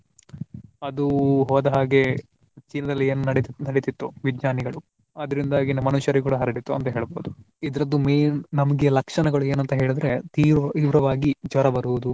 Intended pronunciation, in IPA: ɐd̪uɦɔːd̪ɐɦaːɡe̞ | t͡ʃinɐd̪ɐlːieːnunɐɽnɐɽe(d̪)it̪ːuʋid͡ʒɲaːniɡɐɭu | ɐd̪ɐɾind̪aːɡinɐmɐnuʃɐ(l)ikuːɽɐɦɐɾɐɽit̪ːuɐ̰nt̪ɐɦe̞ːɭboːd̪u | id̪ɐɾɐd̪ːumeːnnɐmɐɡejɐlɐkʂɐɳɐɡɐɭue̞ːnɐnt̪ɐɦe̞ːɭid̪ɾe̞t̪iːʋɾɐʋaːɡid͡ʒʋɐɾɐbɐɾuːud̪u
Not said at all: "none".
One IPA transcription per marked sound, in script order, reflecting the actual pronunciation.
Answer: t̪, ɾ

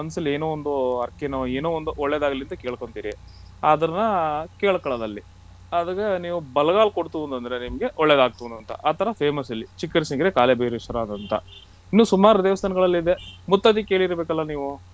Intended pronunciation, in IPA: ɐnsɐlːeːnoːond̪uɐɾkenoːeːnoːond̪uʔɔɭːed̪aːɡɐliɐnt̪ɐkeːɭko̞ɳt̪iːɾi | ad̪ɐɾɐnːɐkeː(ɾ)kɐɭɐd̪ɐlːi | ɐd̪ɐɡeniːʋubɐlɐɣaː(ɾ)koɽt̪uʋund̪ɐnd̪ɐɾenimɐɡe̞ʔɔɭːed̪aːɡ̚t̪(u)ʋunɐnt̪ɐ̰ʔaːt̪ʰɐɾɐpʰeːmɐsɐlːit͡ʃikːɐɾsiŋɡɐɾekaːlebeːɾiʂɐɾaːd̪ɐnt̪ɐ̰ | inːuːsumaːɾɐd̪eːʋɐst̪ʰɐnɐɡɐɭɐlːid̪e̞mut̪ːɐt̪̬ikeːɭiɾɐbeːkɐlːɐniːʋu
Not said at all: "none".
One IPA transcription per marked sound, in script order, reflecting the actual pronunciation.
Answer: ɭ, l, u

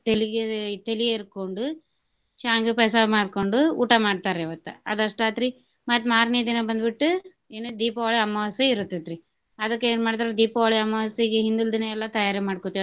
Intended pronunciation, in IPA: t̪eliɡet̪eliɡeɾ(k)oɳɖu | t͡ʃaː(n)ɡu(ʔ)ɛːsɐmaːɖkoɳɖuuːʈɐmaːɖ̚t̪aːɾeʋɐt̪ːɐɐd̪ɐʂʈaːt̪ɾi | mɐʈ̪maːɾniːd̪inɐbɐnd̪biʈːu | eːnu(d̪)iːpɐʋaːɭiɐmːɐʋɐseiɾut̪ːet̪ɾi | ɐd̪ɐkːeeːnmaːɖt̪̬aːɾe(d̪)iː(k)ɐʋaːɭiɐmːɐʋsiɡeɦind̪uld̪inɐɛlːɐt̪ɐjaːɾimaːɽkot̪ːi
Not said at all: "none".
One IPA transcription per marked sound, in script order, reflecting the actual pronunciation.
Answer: k, ŋ, p, d̪, d̪, p

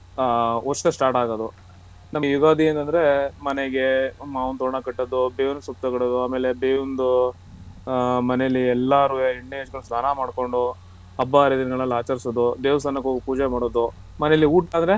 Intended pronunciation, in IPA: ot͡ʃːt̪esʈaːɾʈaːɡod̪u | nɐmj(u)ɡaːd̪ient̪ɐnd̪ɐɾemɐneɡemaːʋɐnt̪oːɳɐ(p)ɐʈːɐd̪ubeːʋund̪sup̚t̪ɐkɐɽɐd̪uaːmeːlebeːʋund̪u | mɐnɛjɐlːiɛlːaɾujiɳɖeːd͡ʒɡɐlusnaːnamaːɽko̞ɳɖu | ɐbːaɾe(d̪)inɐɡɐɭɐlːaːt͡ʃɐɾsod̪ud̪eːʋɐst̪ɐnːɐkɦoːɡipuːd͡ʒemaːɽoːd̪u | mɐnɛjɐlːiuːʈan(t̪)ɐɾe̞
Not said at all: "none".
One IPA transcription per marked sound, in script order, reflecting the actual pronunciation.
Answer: u, k, d̪, d̪

